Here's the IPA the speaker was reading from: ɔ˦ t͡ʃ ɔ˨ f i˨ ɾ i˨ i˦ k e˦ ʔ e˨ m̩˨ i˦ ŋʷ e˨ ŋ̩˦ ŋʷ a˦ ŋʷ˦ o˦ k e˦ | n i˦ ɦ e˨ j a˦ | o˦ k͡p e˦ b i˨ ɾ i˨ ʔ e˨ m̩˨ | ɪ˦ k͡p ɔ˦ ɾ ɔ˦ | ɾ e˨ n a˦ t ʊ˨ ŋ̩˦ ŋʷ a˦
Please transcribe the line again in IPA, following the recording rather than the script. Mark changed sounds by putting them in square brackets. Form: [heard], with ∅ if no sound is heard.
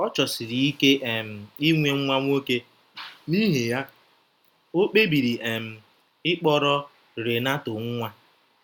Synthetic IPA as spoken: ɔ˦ t͡ʃ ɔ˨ [s] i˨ ɾ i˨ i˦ k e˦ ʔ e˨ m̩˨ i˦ ŋʷ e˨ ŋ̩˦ ŋʷ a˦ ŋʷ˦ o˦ k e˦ | n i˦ ɦ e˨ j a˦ | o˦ k͡p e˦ b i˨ ɾ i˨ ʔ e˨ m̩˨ | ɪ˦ k͡p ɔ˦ ɾ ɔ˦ | ɾ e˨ n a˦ t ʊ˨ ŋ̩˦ ŋʷ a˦